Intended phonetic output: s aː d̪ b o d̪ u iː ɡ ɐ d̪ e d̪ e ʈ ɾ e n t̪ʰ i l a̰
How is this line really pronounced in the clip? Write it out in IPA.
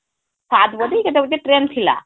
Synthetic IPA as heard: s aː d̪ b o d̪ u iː ɡ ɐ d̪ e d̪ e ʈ ɾ e n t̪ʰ i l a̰